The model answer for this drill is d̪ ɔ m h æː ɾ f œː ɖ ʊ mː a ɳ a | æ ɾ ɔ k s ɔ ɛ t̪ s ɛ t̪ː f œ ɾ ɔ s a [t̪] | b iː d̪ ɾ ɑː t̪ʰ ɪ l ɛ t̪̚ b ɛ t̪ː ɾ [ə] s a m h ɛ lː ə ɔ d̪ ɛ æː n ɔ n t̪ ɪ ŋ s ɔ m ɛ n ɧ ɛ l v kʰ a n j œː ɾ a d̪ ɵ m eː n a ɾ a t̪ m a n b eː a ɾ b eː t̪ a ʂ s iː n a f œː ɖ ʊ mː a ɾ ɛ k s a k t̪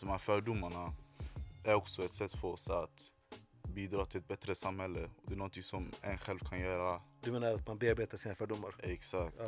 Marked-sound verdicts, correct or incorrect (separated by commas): correct, correct